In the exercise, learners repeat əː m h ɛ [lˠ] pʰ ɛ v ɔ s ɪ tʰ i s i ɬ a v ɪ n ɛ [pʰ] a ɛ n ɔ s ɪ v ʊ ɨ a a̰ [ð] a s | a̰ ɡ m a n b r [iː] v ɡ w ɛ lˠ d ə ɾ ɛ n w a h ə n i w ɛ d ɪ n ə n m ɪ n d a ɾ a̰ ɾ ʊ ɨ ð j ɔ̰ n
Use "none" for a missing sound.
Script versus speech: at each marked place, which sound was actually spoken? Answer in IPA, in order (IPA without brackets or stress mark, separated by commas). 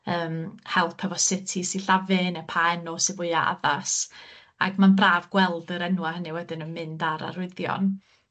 lˠ, pʰ, ð, aː